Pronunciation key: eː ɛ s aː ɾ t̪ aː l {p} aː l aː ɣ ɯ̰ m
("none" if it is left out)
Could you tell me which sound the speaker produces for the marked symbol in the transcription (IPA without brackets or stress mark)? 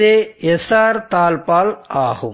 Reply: p